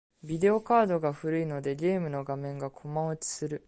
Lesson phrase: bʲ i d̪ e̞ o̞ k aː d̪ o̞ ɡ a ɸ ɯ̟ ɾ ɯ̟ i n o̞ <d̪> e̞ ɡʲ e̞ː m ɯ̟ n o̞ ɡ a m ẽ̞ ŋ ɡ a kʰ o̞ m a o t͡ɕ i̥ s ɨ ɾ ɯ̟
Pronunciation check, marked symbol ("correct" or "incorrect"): correct